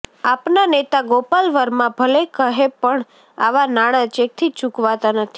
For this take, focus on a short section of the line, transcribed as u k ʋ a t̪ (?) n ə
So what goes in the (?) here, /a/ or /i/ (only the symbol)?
a